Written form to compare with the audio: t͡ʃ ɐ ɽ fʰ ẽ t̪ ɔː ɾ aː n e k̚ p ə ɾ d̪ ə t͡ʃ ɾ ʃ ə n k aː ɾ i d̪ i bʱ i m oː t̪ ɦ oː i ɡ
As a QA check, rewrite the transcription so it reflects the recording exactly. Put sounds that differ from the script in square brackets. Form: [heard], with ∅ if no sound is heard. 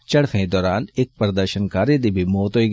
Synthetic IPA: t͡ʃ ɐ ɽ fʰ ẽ [d̪] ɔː ɾ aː n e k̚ p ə ɾ d̪ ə [∅] ɾ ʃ ə n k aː ɾ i d̪ i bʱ i m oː t̪ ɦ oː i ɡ

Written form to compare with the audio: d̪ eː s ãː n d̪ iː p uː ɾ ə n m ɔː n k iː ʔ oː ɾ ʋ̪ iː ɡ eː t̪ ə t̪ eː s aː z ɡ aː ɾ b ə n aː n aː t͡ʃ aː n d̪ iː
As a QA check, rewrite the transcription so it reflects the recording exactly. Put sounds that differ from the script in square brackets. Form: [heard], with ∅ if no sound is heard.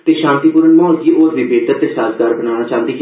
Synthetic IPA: [t̪] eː [ʃ] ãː n [t̪] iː p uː ɾ ə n m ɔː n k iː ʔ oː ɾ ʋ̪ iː [b] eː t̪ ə t̪ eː s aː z ɡ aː ɾ b ə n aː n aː t͡ʃ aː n d̪ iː

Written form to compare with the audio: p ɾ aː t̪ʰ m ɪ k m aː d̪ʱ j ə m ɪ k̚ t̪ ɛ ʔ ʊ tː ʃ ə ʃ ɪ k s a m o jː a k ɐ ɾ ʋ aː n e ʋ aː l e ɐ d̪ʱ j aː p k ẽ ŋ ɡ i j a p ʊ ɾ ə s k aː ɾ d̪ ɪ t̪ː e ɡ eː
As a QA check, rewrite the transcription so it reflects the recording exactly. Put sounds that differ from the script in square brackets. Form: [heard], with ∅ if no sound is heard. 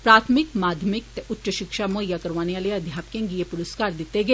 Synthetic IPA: p ɾ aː t̪ʰ m ɪ k m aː d̪ʱ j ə m ɪ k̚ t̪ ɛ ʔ ʊ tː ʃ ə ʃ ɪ k [ʃ] a m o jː a k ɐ ɾ ʋ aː n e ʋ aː l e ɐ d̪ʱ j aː p k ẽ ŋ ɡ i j [e] p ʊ ɾ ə s k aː ɾ d̪ ɪ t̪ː e ɡ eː

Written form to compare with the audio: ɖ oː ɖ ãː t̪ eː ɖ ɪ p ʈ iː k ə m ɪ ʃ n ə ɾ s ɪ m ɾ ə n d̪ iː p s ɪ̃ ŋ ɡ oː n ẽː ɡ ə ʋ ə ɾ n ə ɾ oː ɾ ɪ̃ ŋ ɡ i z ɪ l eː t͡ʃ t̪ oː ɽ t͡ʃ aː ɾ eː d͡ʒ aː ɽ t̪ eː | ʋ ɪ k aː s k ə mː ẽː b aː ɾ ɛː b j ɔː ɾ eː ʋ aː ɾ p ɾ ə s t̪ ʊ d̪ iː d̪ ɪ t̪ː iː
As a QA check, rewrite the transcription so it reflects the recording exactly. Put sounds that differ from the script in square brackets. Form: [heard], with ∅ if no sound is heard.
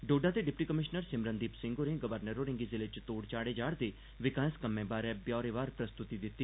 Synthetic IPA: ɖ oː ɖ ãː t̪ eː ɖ ɪ p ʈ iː k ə m ɪ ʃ n ə ɾ s ɪ m ɾ ə n d̪ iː p s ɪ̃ ŋ ɡ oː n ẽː ɡ ə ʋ ə ɾ n ə ɾ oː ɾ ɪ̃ ŋ ɡ i z ɪ l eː t͡ʃ t̪ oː ɽ t͡ʃ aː [ɽ] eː d͡ʒ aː ɽ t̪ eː | ʋ ɪ k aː s k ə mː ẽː b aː ɾ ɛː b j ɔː ɾ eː ʋ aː ɾ p ɾ ə s t̪ ʊ [t̪] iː d̪ ɪ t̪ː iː

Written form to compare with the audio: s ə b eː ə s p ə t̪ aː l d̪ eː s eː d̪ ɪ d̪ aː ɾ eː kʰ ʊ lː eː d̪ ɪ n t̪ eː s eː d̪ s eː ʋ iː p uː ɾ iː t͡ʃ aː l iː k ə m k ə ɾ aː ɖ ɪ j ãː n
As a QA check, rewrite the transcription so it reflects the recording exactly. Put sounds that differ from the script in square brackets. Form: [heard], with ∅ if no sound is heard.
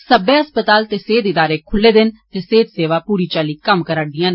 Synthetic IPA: s ə b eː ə s p ə t̪ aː l [t̪] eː s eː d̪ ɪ d̪ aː ɾ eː kʰ ʊ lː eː d̪ ɪ n t̪ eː s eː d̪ s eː ʋ [aː] p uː ɾ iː t͡ʃ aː l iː k ə m k ə ɾ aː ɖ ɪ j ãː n

